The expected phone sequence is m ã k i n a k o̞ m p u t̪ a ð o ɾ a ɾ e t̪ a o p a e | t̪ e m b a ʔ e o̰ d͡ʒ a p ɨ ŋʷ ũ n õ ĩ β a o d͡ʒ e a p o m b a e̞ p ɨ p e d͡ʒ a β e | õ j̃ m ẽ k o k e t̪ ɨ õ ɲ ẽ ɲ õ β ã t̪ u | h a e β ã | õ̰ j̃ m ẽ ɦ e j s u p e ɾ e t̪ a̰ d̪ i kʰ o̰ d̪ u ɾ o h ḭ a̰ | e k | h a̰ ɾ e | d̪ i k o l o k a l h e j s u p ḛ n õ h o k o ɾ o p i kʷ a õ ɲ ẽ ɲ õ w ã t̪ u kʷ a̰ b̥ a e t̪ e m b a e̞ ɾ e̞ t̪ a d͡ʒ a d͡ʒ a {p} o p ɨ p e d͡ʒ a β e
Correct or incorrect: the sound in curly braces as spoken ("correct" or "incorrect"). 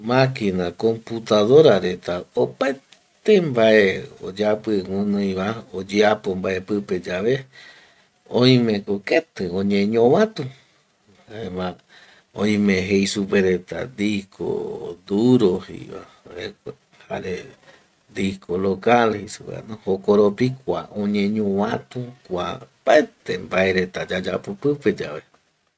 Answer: correct